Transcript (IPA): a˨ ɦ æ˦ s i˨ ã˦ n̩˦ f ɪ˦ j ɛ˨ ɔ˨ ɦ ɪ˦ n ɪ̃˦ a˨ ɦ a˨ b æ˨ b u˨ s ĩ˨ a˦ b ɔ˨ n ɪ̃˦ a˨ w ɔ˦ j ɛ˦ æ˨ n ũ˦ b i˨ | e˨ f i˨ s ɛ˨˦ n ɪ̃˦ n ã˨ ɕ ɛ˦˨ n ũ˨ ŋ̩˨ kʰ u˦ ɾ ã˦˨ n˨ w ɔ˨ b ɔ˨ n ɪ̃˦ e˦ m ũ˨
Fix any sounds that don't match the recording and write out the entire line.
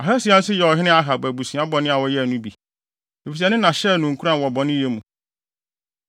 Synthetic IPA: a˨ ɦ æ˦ s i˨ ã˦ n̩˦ s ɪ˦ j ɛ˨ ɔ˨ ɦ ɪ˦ n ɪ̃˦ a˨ ɦ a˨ b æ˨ b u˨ s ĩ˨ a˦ b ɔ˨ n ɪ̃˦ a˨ w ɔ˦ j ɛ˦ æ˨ n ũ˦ b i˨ | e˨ f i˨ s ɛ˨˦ n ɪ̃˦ n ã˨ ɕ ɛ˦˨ n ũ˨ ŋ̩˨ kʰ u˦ ɾ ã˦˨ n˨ w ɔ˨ b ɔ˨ n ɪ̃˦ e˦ m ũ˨